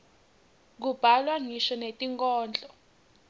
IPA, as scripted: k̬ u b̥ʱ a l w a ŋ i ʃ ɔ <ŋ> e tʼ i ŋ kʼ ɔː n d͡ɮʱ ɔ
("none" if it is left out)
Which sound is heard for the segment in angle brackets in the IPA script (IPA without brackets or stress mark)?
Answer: n